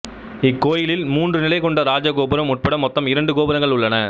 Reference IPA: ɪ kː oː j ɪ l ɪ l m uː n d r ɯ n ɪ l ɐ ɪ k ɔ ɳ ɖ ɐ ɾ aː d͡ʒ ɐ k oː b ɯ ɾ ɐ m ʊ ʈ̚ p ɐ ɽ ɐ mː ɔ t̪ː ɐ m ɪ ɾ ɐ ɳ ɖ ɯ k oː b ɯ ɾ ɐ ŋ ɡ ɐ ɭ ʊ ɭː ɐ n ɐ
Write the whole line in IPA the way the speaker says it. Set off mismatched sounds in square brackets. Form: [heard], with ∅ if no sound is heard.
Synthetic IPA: ɪ kː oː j ɪ l ɪ l m uː n d r ɯ n ɪ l ɐ ɪ k ɔ ɳ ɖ ɐ ɾ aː d͡ʒ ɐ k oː b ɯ ɾ ɐ m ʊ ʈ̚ p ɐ ɽ ɐ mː ɔ t̪ː ɐ m ɪ ɾ ɐ ɳ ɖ ɯ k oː b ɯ ɾ ɐ ŋ ɡ ɐ ɭ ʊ ɭː ɐ n ɐ